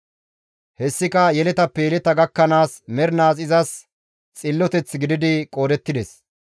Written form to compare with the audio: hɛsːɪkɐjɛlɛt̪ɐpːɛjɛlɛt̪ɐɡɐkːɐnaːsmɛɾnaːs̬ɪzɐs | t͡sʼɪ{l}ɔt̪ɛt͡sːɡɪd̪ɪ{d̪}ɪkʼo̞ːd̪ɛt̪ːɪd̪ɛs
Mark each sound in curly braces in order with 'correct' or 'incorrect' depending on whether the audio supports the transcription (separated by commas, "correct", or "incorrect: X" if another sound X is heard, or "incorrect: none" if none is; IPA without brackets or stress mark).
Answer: incorrect: lː, correct